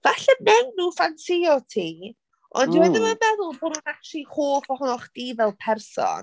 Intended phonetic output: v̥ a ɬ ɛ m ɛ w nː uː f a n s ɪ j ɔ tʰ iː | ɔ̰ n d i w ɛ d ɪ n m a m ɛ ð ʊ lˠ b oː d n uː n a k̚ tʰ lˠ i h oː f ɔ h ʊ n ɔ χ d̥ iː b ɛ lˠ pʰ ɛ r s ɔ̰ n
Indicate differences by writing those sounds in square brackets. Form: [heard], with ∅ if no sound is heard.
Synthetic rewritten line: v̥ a ɬ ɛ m ɛ w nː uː f a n s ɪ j ɔ tʰ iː | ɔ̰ n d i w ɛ d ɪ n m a m ɛ ð ʊ lˠ b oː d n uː n a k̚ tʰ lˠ i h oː f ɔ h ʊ n ɔ χ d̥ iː [v] ɛ lˠ pʰ ɛ r s ɔ̰ n